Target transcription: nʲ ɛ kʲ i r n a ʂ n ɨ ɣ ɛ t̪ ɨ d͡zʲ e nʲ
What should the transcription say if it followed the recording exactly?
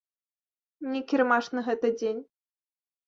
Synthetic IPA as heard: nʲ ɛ kʲ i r m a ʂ n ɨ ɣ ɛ t̪ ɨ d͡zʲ e nʲ